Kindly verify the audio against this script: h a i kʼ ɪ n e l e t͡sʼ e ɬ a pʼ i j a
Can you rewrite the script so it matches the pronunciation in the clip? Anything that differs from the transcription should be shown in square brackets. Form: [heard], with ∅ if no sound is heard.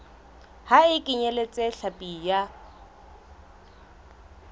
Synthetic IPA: h a [ɪ] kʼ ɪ [ɲ] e l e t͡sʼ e ɬ a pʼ i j a